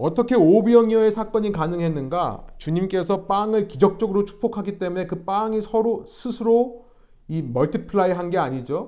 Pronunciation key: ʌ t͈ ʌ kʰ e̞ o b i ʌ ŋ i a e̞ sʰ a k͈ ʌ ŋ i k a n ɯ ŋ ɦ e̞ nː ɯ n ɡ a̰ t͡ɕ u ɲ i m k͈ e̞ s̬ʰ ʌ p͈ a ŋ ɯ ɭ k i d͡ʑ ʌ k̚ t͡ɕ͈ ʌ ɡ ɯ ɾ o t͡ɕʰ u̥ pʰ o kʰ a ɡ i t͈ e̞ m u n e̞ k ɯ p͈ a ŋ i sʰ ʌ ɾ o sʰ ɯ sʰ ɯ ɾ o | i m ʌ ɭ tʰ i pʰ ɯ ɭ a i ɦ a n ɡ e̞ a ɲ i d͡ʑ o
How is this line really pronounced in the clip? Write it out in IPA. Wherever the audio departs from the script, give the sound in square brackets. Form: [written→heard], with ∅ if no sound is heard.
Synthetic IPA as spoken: ʌ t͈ ʌ kʰ e̞ o b i ʌ ŋ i [a→ʌ] e̞ sʰ a k͈ ʌ [ŋ→ɲ] i k a n ɯ ŋ ɦ e̞ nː ɯ n ɡ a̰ t͡ɕ u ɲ i m k͈ e̞ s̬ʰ ʌ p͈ a ŋ ɯ ɭ k i d͡ʑ ʌ k̚ t͡ɕ͈ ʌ ɡ ɯ ɾ o t͡ɕʰ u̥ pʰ o kʰ a ɡ i t͈ e̞ m u n e̞ k ɯ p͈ a ŋ i sʰ ʌ ɾ o sʰ ɯ sʰ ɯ ɾ o | i m ʌ ɭ tʰ i pʰ ɯ ɭ a i ɦ a n ɡ e̞ a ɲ i d͡ʑ o